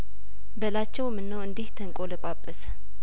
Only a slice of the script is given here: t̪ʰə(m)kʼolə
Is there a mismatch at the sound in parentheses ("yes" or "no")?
yes